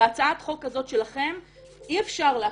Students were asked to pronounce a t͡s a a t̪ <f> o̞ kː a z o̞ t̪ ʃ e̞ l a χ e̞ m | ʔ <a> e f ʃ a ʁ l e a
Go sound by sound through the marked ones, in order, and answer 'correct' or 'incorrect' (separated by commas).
incorrect, incorrect